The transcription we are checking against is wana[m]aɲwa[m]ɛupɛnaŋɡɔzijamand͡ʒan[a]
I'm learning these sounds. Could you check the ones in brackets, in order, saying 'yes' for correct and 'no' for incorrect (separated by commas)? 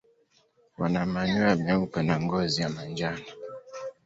yes, yes, yes